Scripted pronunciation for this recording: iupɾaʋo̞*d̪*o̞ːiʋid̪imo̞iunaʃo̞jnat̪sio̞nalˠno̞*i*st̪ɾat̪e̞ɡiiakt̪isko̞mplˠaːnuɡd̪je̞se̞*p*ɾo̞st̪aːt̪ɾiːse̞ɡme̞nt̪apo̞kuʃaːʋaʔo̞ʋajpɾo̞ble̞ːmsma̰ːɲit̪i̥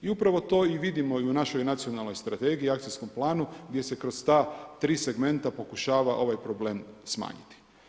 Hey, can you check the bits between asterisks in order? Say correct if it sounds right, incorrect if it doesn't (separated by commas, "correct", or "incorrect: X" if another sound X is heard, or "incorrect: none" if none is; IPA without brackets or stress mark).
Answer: incorrect: t̪, incorrect: j, incorrect: k